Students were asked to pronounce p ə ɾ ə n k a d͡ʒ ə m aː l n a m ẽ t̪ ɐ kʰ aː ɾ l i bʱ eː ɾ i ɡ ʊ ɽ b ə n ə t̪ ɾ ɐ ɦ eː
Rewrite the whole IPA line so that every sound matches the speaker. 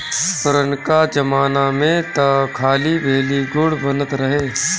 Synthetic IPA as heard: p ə ɾ ə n k a d͡ʒ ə m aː n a m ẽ t̪ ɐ kʰ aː l i bʱ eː l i ɡ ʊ ɽ b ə n ə t̪ ɾ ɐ ɦ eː